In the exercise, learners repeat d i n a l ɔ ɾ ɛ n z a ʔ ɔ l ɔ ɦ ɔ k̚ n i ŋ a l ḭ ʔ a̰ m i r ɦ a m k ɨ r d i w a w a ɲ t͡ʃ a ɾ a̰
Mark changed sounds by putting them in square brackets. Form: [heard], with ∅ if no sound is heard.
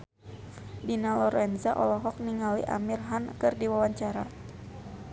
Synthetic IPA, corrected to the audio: d i n a l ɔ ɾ ɛ n z a ʔ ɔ l ɔ ɦ ɔ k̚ n i ŋ a l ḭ ʔ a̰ m i r ɦ a [n] k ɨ r d i w a w a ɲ t͡ʃ a ɾ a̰

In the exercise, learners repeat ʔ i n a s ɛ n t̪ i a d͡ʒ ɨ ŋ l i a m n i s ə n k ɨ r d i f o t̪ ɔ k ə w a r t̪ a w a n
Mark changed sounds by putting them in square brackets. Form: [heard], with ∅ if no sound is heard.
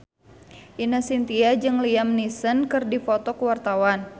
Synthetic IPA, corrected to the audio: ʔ i n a s [i] n t̪ i a d͡ʒ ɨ ŋ l i a m n i s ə n k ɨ r d i f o t̪ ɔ k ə w a r t̪ a w a n

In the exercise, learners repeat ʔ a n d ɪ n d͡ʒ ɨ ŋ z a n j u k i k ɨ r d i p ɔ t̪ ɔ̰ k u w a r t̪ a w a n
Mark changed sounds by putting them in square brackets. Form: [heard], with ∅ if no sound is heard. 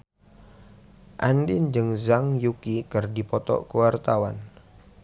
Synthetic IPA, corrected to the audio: ʔ a n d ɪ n d͡ʒ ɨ ŋ z a [ŋ] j u k i k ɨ r d i p ɔ t̪ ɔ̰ k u w a r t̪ a w a n

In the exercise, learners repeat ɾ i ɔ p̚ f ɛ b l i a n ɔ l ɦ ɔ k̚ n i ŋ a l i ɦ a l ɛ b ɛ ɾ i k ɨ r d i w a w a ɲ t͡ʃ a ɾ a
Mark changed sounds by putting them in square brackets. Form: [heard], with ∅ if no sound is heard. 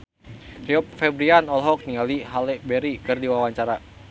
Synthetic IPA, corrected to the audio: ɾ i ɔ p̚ f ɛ b [ɾ] i a n ɔ l ɦ ɔ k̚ n i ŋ a l i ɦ a l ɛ b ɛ ɾ i k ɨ r d i w a w a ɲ t͡ʃ a ɾ a

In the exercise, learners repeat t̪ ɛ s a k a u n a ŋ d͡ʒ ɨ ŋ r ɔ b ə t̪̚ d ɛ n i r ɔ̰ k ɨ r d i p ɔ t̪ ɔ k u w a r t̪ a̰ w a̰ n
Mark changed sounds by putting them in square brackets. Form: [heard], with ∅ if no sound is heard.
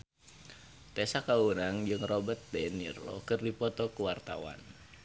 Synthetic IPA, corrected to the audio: t̪ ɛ s a k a u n a ŋ d͡ʒ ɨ ŋ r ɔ b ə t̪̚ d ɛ n i r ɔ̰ k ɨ r d i p ɔ t̪ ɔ k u w a r t̪ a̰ w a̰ n

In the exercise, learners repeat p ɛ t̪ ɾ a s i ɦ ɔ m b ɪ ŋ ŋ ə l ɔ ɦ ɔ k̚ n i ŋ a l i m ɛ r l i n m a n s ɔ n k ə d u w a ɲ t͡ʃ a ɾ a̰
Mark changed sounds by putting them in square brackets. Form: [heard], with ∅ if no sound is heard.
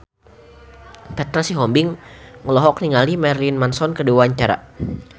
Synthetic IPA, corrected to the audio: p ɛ t̪ ɾ a s i ɦ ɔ m b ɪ ŋ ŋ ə l ɔ ɦ ɔ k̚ n i ŋ a l i m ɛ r l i n m a n s ɔ n k ə d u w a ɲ t͡ʃ a ɾ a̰

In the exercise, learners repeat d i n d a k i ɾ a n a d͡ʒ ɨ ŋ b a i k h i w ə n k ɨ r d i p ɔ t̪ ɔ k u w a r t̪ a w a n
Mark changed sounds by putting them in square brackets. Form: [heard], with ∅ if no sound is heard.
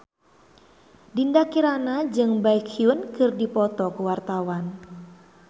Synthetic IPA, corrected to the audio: d i n d a k i ɾ a n a d͡ʒ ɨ ŋ b a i k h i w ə n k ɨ r d i p ɔ t̪ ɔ k u w a r t̪ a w a n

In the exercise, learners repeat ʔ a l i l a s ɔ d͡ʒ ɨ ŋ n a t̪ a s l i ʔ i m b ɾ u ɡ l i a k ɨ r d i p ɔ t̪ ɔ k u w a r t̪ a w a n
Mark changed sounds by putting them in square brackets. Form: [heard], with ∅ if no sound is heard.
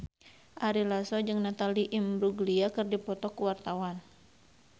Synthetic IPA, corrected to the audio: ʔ a [ɾ] i l a s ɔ d͡ʒ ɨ ŋ n a t̪ a [∅] l i ʔ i m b ɾ u ɡ l i a k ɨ r d i p ɔ t̪ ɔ k u w a r t̪ a w a n

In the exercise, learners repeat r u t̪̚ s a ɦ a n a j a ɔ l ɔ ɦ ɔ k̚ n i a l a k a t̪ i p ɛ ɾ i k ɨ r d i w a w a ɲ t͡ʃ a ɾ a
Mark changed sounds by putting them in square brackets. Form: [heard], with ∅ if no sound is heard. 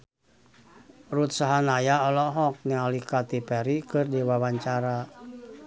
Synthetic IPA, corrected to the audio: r u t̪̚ s a ɦ a n a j a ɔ l ɔ ɦ ɔ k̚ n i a l [i] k a t̪ i p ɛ ɾ i k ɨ r d i w a w a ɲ t͡ʃ a ɾ a

